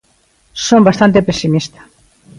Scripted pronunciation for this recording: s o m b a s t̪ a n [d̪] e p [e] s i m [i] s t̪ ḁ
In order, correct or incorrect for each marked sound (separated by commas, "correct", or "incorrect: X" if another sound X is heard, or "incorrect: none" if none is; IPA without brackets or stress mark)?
incorrect: t̪, correct, correct